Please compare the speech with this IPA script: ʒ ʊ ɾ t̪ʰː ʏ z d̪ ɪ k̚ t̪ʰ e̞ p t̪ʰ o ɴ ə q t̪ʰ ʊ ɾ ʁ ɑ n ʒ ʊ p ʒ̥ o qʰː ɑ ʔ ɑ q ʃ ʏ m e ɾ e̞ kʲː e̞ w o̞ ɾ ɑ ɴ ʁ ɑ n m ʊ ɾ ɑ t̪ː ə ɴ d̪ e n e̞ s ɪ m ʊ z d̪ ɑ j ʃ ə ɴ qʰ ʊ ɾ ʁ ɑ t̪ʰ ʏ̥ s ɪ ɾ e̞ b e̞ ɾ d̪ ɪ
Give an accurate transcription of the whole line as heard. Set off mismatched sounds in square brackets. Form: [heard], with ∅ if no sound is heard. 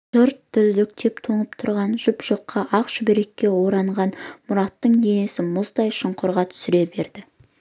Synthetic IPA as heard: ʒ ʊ ɾ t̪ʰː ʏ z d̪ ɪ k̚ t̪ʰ e̞ p t̪ʰ o ɴ ə [p] t̪ʰ ʊ ɾ ʁ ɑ n ʒ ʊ p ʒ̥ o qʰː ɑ ʔ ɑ q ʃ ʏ [b] e ɾ e̞ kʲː e̞ w o̞ ɾ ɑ ɴ ʁ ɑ n m ʊ ɾ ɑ t̪ː ə ɴ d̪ e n e̞ s ɪ m ʊ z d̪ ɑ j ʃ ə ɴ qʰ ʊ ɾ ʁ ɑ t̪ʰ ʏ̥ s ɪ ɾ e̞ b e̞ ɾ d̪ ɪ